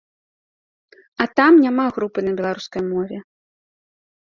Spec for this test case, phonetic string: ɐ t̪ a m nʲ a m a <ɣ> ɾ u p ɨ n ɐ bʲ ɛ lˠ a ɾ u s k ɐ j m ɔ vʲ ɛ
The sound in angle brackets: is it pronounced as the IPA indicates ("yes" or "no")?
yes